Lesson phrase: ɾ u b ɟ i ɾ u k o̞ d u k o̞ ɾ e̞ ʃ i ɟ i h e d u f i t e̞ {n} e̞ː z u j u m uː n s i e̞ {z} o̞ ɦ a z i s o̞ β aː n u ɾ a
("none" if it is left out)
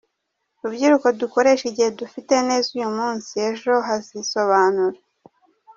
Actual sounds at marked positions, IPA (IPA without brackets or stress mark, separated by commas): n, ʒ